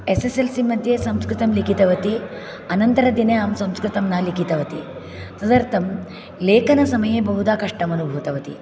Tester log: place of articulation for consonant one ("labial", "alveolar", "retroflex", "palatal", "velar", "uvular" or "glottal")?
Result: alveolar